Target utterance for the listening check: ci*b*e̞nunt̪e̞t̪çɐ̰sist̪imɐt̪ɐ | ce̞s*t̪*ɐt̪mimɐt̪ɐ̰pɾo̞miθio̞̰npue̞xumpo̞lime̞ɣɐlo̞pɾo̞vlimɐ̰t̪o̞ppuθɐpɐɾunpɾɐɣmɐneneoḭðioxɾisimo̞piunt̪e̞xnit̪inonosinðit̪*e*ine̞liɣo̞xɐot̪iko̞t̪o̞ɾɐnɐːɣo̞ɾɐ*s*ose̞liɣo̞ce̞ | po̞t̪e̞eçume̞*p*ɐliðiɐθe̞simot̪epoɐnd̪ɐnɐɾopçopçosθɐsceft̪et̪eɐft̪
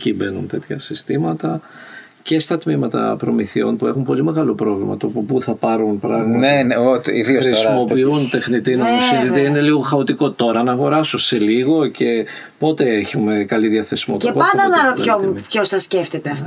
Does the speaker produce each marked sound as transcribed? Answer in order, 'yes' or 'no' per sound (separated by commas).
yes, yes, yes, yes, no